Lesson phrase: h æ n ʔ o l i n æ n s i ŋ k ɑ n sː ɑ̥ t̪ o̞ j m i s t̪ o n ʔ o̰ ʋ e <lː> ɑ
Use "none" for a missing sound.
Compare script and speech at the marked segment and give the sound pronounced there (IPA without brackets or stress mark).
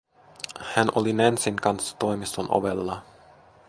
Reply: lː